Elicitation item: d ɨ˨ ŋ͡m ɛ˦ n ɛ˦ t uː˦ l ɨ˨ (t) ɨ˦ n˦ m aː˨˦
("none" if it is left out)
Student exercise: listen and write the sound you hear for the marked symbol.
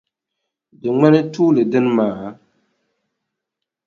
d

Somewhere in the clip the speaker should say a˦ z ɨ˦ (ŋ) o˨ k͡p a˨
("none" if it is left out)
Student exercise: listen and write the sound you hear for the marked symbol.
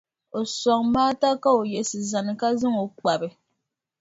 ŋ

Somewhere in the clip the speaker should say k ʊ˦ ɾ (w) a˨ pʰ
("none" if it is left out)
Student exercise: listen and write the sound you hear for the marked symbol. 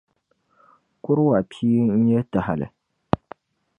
w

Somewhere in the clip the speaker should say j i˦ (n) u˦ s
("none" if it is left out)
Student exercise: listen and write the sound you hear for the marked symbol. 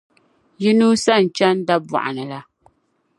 n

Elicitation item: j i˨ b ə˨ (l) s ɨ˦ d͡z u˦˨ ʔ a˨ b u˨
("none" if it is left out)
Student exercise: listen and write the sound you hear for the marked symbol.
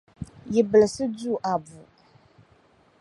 l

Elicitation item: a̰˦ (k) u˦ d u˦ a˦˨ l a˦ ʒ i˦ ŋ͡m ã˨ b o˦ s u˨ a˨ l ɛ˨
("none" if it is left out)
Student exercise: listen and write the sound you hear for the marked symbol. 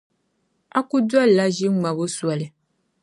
k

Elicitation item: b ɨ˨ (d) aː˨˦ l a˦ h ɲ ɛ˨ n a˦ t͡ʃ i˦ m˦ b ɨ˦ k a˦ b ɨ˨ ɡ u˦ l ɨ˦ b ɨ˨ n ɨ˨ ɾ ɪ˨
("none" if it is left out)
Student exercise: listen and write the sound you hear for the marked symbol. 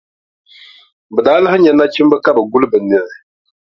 d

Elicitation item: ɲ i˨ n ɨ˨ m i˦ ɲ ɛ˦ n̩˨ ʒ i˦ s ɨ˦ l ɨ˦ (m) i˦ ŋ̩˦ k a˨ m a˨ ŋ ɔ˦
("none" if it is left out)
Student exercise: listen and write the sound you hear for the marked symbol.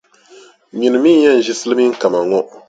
m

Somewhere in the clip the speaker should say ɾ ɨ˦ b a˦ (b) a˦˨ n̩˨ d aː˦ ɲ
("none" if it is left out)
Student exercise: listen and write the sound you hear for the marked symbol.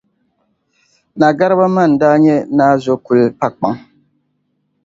m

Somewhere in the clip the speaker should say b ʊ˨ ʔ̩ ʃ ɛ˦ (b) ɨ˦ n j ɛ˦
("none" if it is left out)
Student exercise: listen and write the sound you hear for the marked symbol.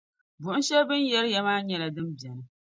b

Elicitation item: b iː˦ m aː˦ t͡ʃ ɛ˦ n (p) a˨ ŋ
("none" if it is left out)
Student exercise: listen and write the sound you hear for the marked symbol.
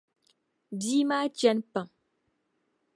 p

